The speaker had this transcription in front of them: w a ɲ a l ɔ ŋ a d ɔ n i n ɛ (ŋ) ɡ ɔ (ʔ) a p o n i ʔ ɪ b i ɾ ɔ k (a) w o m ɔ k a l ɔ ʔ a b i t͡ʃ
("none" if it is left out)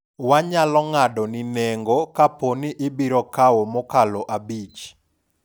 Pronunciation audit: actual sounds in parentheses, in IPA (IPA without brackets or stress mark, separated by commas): ŋ, k, a